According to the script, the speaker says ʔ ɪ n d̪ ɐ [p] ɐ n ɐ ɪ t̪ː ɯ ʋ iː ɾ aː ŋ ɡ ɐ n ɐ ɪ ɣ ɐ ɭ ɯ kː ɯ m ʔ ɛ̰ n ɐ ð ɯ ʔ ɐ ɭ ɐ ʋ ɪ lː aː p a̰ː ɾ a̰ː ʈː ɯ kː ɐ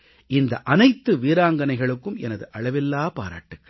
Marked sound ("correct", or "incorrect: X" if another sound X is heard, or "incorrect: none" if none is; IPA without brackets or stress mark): incorrect: ʔ